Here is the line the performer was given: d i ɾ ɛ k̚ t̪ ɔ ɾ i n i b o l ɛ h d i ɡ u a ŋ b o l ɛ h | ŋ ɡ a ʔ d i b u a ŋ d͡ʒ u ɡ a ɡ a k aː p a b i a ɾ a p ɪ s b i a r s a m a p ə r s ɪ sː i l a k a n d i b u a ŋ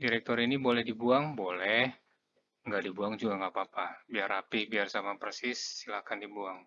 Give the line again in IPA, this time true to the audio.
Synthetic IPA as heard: d i ɾ ɛ k̚ t̪ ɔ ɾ i n i b o l ɛ h d i b u a ŋ b o l ɛ h | ŋ ɡ a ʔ d i b u a ŋ d͡ʒ u ɡ a ŋ a p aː p a b i a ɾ a p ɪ h b i a r s a m a p ə r s ɪ sː i l a k a n d i b u a ŋ